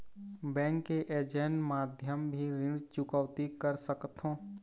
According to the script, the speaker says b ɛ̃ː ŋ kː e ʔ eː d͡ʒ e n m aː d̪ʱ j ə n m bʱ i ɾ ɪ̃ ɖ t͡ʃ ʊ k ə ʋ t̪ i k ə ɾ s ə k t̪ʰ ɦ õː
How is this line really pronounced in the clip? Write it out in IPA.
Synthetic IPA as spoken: b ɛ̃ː ŋ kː e ʔ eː d͡ʒ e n m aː d̪ʱ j ə m bʱ i ɾ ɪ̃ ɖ t͡ʃ ʊ k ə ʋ t̪ i k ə ɾ s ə k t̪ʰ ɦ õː